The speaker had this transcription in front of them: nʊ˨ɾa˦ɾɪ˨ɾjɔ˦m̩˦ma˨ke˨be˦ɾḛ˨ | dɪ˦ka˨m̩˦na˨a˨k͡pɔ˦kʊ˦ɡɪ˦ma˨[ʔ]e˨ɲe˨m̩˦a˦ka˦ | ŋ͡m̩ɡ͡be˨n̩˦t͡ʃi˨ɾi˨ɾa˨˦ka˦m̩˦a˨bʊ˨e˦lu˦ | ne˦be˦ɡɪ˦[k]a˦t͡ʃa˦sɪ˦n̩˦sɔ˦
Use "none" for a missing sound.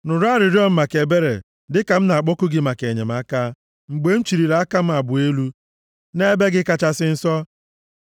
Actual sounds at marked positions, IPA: k, k

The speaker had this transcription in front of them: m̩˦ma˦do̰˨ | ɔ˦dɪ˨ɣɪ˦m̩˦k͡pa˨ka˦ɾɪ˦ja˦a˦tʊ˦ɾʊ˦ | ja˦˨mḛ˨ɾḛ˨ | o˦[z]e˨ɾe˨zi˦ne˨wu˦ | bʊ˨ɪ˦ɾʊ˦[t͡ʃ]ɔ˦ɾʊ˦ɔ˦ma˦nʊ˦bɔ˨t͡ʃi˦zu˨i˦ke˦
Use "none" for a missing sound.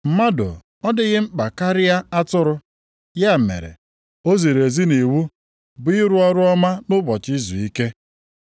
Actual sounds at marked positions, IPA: z, none

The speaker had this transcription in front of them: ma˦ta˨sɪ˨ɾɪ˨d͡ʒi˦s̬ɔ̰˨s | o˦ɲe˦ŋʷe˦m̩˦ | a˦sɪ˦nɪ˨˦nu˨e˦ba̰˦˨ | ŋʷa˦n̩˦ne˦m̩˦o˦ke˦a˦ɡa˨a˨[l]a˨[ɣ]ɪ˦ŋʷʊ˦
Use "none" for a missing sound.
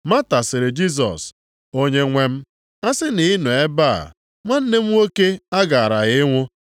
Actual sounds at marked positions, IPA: ɾ, ɣ

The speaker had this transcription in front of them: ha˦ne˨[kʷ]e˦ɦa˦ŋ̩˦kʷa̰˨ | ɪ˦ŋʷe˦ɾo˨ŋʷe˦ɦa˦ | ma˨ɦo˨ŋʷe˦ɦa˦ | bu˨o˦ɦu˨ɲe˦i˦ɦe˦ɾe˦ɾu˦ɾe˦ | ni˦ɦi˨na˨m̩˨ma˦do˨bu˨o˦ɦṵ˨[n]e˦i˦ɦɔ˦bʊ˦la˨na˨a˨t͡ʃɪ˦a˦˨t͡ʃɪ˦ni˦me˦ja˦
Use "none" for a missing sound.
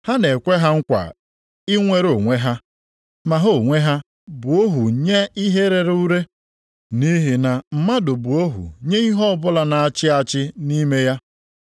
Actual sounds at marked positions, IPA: kʷ, ɲ

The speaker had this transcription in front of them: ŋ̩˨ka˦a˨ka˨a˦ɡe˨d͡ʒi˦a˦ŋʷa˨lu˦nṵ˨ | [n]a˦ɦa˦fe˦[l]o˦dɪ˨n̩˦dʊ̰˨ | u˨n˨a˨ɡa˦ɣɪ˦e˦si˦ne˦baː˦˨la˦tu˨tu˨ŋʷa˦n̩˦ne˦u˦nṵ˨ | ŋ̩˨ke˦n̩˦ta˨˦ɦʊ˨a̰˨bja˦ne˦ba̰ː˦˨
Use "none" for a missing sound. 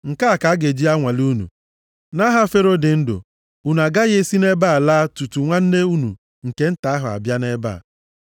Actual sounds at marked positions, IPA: n, ɾ

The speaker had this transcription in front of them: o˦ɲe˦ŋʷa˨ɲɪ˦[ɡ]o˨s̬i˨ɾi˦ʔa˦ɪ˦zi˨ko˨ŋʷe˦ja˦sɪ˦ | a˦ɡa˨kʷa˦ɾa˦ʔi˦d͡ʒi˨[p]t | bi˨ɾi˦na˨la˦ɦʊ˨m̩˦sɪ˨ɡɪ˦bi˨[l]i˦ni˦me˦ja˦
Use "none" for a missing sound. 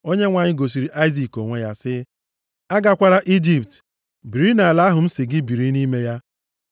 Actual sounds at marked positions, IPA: ɡ, p, ɾ

